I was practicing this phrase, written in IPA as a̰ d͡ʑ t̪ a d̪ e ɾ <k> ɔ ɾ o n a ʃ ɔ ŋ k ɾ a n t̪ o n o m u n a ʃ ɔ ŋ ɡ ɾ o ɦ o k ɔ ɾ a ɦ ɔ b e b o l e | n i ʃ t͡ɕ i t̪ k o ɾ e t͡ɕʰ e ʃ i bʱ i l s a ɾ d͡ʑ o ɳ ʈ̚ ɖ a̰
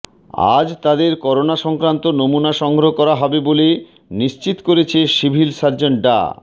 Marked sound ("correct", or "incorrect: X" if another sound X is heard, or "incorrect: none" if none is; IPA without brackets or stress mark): correct